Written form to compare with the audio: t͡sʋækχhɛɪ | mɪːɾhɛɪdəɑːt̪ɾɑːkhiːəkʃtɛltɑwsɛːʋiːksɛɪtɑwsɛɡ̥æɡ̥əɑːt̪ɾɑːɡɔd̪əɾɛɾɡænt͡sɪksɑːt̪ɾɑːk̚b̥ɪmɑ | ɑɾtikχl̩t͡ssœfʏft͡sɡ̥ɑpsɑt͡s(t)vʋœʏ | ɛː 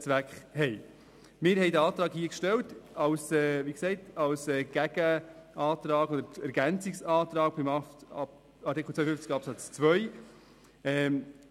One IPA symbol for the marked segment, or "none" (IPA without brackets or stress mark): t͡s